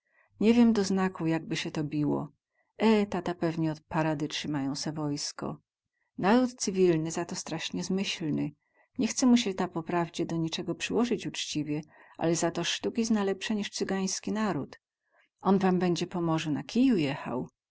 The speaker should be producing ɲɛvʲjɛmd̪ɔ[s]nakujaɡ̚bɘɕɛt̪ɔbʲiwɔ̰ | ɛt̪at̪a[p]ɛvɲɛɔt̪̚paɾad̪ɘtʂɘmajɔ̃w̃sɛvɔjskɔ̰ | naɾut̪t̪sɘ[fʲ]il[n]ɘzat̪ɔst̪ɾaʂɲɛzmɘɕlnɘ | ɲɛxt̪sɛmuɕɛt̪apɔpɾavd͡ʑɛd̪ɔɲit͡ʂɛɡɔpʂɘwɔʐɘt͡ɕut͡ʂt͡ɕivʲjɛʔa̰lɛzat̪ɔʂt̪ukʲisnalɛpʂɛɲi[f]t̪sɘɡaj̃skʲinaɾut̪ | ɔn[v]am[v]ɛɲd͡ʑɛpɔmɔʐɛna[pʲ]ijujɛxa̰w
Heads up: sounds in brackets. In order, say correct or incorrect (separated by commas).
incorrect, correct, incorrect, correct, incorrect, correct, incorrect, incorrect